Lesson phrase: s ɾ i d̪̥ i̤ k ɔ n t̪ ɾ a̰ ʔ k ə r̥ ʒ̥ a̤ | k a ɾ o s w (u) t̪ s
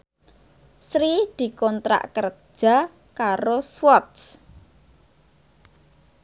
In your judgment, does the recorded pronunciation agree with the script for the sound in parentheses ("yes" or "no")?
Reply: no